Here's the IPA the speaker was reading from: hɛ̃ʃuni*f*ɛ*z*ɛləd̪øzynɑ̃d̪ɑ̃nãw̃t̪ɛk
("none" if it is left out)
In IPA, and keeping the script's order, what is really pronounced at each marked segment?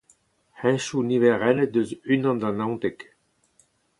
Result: v, ʁ

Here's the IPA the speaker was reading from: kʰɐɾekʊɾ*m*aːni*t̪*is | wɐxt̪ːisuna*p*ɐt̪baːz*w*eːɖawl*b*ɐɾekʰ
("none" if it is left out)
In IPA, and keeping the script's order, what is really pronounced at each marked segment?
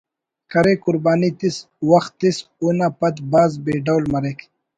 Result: b, t̪, p, b, m

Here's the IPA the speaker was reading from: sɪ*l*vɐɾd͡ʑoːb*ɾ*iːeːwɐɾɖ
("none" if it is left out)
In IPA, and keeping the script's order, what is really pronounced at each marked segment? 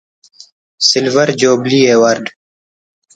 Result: l, l

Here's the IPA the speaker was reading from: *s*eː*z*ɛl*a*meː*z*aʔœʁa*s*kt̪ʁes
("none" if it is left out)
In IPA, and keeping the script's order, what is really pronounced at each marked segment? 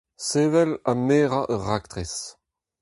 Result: s, v, a, ʁ, none

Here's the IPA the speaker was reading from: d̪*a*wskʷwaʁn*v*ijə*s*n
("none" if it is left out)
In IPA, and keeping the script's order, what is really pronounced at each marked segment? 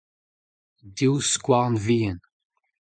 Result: i, v, none

